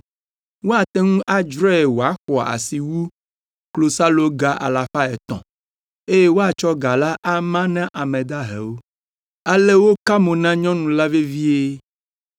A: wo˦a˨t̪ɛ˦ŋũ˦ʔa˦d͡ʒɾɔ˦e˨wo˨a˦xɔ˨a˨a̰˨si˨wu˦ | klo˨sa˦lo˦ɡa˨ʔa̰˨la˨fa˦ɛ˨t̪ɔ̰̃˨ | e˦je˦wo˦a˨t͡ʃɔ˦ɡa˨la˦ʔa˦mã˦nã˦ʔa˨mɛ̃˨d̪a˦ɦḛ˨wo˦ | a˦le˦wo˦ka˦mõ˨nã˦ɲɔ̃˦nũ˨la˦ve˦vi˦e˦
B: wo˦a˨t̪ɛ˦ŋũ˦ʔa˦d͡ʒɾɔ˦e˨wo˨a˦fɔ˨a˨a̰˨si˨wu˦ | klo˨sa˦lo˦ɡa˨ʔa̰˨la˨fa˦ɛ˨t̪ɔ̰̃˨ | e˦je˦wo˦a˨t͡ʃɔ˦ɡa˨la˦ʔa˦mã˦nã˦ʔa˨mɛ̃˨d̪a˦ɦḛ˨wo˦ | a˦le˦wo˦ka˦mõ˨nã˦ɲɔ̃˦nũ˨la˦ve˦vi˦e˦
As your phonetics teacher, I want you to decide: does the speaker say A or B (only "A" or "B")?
A